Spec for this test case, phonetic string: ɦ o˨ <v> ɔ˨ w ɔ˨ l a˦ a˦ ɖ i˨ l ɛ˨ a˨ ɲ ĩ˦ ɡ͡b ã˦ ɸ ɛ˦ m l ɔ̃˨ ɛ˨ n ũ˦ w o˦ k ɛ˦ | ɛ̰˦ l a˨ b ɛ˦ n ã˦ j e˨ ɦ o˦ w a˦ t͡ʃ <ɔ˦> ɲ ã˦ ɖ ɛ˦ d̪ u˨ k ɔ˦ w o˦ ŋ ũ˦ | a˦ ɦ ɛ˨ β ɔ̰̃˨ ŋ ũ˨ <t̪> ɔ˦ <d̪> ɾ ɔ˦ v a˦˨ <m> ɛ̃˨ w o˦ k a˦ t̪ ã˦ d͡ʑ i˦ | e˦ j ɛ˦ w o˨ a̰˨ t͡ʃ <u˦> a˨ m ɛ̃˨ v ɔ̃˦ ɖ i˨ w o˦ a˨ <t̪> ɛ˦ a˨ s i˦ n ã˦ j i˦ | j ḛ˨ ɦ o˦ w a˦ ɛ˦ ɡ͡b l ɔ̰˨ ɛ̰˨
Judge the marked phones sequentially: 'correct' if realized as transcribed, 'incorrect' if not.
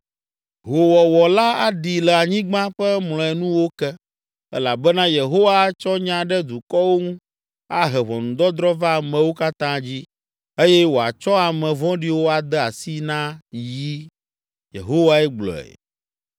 incorrect, correct, incorrect, correct, correct, incorrect, incorrect

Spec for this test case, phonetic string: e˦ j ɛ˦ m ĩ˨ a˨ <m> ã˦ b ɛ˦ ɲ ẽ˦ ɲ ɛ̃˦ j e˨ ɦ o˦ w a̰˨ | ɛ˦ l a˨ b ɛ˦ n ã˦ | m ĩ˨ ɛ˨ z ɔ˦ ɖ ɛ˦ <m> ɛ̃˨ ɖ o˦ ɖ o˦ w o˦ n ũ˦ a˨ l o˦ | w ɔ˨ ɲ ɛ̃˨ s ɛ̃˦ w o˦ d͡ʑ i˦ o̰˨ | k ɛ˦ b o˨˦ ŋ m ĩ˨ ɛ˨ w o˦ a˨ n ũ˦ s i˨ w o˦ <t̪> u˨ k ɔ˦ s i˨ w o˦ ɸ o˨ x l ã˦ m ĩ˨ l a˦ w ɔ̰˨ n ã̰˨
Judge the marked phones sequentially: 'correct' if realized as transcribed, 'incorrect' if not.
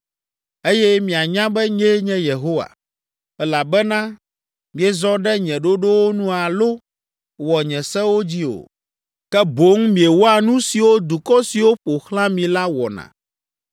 incorrect, incorrect, incorrect

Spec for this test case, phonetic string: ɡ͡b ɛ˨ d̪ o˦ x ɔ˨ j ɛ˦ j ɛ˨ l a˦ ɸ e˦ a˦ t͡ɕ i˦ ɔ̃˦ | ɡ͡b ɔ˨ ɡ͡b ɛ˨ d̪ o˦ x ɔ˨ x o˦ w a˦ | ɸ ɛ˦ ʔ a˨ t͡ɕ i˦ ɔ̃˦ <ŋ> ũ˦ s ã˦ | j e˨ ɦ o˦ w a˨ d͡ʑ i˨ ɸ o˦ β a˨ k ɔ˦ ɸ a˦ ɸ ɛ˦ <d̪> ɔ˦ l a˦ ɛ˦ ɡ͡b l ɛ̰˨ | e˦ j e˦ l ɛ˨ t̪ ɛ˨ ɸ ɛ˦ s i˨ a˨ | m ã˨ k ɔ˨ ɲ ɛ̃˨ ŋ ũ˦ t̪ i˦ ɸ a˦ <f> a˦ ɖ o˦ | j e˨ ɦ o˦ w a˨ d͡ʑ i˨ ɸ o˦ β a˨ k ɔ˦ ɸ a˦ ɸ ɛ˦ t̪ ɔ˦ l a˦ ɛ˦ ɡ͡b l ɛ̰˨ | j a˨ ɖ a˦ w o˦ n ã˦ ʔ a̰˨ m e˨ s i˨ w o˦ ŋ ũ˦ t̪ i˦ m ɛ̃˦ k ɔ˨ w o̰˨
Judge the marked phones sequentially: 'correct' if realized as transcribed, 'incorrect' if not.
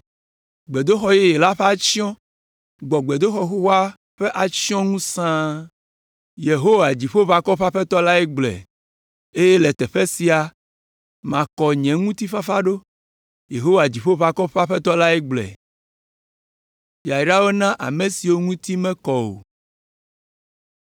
correct, incorrect, correct

